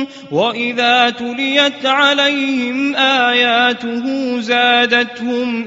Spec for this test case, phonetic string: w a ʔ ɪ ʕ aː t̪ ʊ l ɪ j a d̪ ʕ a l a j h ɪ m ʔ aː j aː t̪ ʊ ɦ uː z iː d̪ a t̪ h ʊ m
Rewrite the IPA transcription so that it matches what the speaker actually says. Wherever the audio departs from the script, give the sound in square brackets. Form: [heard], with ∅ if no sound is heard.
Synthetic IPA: w a ʔ ɪ [ð] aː t̪ ʊ l ɪ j a [t̪] ʕ a l a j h ɪ m ʔ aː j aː t̪ ʊ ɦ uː z [aː] d̪ a t̪ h ʊ m